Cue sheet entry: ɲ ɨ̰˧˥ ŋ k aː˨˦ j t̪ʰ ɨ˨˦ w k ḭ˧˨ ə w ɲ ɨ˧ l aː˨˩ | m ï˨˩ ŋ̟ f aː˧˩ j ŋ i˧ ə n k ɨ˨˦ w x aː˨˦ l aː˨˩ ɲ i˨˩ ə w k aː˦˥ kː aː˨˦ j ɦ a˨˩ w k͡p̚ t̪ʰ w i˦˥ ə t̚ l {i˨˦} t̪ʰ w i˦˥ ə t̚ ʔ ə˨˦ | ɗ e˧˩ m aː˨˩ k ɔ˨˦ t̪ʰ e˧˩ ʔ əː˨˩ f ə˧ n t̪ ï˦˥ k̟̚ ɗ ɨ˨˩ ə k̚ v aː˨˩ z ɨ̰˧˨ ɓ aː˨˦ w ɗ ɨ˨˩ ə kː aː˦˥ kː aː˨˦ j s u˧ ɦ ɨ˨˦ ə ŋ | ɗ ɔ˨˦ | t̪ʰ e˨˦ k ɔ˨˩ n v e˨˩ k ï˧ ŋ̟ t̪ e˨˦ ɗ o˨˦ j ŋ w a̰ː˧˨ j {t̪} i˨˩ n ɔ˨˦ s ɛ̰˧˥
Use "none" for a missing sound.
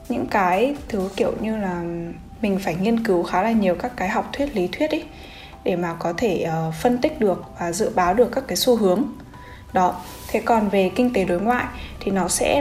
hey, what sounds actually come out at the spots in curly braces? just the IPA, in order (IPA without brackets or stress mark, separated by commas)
i˨˦, t̪ʰ